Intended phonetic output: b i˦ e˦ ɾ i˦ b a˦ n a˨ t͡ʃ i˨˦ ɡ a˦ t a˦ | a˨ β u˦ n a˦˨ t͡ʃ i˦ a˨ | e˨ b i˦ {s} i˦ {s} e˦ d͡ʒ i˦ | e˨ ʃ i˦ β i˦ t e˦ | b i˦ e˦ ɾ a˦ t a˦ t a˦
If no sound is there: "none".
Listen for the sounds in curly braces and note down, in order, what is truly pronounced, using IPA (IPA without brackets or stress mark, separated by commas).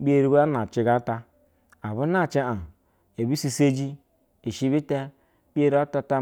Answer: s, s